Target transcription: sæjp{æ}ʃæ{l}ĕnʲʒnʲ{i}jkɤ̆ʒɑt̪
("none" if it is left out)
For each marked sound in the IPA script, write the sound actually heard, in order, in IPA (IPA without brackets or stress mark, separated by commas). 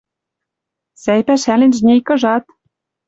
æ, l, e